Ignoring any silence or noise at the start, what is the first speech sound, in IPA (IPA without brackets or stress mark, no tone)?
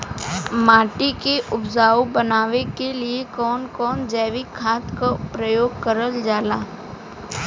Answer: m